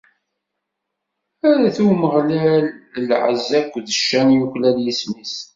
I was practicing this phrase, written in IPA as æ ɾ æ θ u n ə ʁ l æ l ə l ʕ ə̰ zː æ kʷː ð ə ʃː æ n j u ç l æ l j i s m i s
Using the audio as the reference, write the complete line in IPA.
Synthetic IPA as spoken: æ ɾ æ θ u m ə ʁ l æ l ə l ʕ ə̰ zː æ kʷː ð ə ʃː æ n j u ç l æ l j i s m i s